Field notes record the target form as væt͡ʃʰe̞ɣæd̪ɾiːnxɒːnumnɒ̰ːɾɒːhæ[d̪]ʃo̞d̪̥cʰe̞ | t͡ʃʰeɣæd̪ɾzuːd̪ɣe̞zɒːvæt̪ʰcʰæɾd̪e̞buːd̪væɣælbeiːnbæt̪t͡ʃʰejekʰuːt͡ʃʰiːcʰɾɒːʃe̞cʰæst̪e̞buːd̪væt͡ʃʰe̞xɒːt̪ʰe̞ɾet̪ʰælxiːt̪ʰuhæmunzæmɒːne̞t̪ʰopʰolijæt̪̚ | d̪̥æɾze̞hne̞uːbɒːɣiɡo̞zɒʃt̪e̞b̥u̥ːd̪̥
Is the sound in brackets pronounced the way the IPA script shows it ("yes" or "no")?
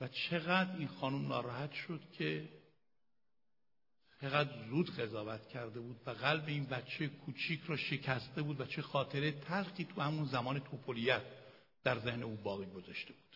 no